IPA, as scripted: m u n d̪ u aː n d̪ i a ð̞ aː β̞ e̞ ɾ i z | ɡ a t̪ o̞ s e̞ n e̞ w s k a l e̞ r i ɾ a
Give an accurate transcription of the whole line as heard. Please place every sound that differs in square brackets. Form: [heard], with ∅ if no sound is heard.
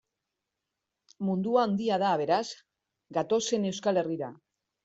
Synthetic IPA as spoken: m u n d̪ u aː n d̪ i a ð̞ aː β̞ e̞ ɾ [a] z | ɡ a t̪ o̞ s e̞ n e̞ w s k a l e̞ r i ɾ a